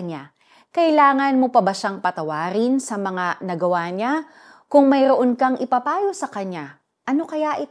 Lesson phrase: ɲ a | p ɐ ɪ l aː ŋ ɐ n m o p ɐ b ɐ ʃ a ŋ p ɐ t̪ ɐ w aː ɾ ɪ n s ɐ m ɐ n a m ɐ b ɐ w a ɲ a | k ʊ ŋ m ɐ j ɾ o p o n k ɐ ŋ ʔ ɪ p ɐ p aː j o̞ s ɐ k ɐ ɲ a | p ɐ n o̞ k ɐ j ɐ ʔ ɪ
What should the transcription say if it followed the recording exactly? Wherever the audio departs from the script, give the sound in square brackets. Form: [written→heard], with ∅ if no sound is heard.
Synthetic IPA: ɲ a | [p→k] ɐ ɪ l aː ŋ ɐ n m o p ɐ b ɐ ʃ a ŋ p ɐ t̪ ɐ w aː ɾ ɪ n s ɐ m ɐ [n→ŋ] a [m→n] ɐ [b→ɡ] ɐ w a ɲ a | k ʊ ŋ m ɐ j ɾ o [p→ʔ] o n k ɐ ŋ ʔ ɪ p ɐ p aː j o̞ s ɐ k ɐ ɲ a | [p→ʔ] ɐ n o̞ k ɐ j [ɐ→a] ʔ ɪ